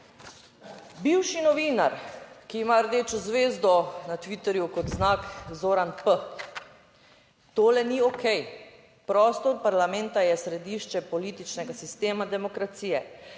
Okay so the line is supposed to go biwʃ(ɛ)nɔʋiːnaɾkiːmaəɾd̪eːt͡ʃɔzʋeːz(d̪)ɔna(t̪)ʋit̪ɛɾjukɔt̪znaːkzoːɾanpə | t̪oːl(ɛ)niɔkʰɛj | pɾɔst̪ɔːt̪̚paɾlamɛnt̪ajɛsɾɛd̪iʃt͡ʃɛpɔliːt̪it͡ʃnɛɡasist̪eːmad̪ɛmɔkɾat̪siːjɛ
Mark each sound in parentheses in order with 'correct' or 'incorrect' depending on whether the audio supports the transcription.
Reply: incorrect, correct, correct, correct

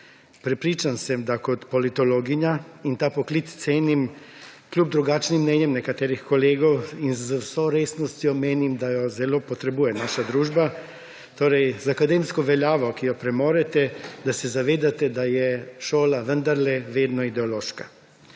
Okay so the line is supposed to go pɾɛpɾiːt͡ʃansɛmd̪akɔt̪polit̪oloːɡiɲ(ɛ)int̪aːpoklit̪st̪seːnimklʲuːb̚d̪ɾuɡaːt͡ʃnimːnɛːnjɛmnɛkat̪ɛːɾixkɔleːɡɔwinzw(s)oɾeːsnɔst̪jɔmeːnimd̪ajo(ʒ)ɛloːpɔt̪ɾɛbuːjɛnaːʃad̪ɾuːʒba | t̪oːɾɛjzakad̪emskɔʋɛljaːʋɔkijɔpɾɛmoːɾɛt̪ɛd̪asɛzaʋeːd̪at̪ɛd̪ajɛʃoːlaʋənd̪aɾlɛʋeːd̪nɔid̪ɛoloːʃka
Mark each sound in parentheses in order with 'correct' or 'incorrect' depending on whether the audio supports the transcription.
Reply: incorrect, correct, incorrect

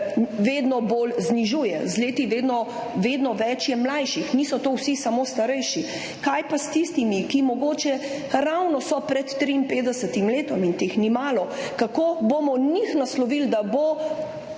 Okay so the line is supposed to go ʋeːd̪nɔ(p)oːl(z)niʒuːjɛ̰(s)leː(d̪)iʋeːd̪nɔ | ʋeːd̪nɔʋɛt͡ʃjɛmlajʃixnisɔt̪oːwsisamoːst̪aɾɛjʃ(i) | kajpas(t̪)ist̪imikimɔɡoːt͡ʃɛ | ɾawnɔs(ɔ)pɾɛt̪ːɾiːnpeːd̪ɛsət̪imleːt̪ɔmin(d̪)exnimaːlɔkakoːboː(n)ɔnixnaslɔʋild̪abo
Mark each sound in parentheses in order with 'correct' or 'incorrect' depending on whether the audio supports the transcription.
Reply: incorrect, correct, incorrect, incorrect, correct, correct, correct, incorrect, incorrect

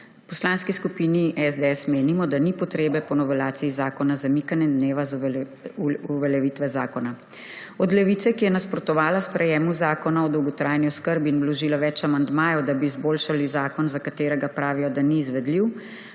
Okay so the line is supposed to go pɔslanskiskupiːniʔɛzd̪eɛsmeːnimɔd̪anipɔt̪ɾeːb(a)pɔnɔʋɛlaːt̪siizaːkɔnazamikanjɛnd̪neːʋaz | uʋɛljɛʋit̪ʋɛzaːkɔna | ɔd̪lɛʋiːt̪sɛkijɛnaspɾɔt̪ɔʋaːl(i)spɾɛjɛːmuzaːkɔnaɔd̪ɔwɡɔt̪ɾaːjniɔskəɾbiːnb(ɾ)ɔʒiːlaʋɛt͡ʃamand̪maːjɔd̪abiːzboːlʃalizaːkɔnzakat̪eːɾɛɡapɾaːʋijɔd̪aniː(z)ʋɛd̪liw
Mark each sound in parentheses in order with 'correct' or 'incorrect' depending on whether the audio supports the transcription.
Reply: incorrect, incorrect, incorrect, correct

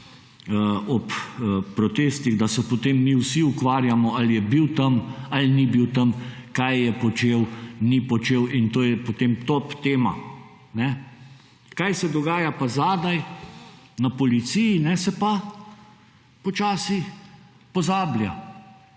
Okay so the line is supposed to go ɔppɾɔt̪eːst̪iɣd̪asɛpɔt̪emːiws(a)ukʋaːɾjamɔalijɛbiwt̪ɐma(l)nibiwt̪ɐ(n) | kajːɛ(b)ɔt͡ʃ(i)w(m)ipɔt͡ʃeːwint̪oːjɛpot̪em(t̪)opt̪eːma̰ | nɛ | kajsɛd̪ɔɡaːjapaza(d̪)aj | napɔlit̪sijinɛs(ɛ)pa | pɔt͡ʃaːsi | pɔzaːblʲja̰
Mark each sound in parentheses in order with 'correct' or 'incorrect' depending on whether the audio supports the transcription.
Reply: incorrect, correct, incorrect, incorrect, incorrect, incorrect, correct, correct, correct

